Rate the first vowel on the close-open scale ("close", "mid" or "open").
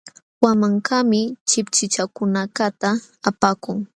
open